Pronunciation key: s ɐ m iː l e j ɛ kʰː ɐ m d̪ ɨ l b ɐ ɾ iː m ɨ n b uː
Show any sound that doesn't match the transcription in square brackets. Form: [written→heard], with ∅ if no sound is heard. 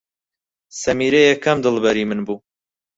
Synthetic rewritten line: s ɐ m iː [l→ɾ] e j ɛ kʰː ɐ m d̪ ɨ l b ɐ ɾ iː m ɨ n b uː